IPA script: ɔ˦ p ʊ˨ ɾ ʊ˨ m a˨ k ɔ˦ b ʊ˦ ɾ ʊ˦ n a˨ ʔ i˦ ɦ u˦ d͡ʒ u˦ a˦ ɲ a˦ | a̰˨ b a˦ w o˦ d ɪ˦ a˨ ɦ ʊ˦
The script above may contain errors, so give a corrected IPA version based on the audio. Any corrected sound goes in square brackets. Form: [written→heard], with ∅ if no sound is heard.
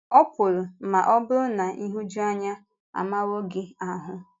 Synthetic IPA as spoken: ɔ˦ p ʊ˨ ɾ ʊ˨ m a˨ [k→ʔ] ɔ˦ b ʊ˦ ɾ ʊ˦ n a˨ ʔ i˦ ɦ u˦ d͡ʒ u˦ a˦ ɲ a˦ | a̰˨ [b→m] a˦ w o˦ [d→ɡ] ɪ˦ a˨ ɦ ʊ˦